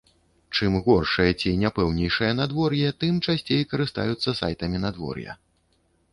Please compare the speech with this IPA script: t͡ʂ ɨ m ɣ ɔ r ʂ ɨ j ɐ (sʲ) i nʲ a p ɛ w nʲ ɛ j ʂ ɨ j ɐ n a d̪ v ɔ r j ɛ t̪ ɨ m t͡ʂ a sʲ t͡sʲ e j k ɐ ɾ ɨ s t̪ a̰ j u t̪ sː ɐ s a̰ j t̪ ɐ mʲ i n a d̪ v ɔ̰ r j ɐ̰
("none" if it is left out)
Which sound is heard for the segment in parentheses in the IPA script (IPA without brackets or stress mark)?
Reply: t͡sʲ